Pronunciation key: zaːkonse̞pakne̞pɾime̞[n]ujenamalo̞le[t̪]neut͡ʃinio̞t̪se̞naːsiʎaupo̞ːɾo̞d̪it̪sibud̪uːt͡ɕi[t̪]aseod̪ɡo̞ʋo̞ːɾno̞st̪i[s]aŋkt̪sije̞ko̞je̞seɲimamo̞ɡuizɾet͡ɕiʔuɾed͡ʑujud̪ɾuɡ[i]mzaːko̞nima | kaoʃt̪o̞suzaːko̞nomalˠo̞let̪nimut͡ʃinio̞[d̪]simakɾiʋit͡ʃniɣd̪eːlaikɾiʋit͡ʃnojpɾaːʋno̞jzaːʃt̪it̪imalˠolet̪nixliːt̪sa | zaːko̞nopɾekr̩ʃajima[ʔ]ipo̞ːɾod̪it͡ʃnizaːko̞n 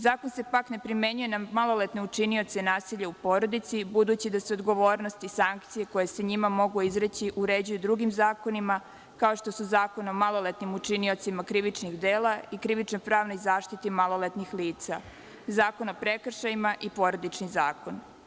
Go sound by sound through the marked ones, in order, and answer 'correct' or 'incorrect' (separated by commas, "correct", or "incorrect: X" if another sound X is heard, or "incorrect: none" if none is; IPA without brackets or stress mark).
incorrect: ɲ, correct, incorrect: d̪, correct, correct, incorrect: t̪, correct